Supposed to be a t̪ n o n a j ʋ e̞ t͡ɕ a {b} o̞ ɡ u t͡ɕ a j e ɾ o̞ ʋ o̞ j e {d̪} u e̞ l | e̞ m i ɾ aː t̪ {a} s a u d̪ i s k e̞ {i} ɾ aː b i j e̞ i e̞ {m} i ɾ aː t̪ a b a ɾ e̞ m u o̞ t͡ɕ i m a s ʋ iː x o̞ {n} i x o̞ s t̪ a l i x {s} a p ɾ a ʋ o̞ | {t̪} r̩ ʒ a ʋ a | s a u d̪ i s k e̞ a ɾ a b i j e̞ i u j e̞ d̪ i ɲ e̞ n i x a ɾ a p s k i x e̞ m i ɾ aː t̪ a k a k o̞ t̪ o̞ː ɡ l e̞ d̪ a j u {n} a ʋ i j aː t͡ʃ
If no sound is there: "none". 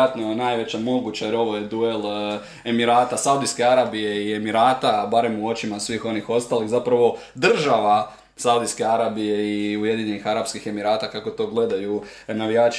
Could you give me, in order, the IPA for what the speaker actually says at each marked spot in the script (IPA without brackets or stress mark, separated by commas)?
m, d̪, a, a, m, n, z, d̪, n